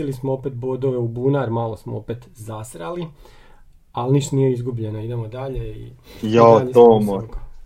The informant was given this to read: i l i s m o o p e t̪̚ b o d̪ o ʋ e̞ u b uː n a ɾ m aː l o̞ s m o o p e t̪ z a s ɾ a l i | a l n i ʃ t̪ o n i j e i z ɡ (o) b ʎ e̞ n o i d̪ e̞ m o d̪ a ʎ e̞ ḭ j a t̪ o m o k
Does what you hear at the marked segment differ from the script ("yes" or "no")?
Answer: yes